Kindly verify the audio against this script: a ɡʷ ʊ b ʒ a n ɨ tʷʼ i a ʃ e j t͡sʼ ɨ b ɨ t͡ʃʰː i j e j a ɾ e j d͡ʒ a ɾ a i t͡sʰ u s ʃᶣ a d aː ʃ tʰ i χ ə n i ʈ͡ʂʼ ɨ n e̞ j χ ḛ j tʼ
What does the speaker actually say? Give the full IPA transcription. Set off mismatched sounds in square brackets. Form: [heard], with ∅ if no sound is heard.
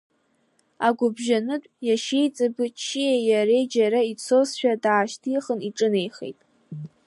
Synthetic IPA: a ɡʷ ʊ b ʒ a n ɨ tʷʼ [j] a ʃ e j t͡sʼ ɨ b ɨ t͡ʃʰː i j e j a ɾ e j d͡ʒ a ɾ a i t͡sʰ [o] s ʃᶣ a d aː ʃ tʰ i χ ə n i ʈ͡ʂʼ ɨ n e̞ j χ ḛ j tʼ